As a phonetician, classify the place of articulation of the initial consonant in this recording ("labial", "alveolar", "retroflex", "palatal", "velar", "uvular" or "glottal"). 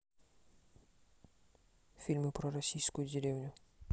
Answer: labial